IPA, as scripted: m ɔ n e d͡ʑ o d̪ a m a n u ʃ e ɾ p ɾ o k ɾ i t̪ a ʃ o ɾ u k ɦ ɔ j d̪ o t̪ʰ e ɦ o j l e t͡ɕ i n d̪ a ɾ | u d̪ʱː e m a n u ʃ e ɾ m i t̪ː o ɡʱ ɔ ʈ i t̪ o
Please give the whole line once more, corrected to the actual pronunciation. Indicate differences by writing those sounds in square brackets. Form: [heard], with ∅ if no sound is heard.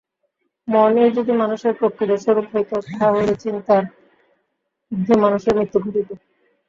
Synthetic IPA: m ɔ n e d͡ʑ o d̪ [i] m a n u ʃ e ɾ p ɾ o k ɾ i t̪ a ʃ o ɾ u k ɦ [o] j [t̪] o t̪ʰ [a] ɦ o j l e t͡ɕ i n [t̪] a ɾ | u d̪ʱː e m a n u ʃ e ɾ m i t̪ː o ɡʱ [o] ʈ i t̪ o